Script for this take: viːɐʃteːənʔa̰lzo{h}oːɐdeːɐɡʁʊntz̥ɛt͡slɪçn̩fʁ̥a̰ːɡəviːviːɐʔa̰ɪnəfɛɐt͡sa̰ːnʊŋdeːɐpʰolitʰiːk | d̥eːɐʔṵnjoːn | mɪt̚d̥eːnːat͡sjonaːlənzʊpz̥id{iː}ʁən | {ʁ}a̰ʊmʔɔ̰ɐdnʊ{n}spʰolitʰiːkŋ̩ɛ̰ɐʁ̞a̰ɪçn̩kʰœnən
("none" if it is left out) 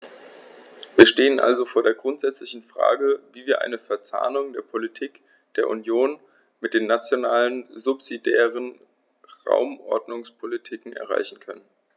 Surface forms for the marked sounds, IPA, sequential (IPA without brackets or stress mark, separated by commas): f, ɛː, ʁ, ŋ